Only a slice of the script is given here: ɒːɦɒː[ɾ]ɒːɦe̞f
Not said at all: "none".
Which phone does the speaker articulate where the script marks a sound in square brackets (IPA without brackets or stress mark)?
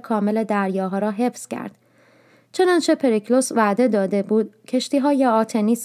ɾ